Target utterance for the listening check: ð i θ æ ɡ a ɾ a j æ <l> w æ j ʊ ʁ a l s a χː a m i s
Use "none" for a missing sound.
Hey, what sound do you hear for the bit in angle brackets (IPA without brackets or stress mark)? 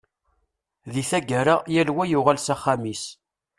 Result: l